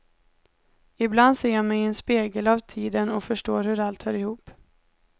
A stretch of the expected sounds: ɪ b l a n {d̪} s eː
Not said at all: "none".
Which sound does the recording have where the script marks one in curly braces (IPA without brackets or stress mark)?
d̪